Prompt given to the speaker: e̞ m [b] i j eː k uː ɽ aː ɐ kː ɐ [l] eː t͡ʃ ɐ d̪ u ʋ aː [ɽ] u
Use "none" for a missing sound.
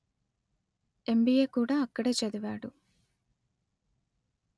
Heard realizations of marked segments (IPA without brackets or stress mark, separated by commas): b, ɽ, ɽ